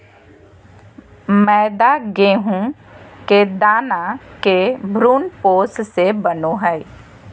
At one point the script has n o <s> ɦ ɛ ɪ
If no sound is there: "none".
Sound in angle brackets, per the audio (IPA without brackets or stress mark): none